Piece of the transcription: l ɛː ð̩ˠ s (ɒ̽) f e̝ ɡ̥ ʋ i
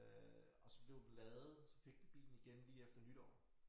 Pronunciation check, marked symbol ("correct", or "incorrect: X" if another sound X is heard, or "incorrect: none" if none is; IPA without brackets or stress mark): correct